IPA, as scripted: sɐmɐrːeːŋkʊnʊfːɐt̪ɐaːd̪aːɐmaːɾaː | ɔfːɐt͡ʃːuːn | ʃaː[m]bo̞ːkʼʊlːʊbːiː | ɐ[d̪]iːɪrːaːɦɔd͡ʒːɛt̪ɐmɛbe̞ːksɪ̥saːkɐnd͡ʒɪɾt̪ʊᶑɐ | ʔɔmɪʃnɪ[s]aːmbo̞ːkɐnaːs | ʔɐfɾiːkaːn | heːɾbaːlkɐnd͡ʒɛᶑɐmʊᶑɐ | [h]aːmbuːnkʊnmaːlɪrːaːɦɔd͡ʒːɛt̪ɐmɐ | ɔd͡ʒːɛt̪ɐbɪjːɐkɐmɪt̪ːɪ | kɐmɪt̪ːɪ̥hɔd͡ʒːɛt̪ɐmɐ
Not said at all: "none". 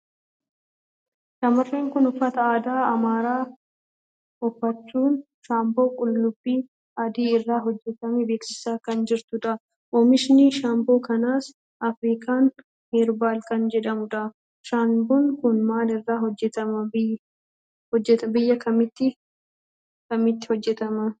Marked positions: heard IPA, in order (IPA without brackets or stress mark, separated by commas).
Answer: m, d̪, ʃ, ʃ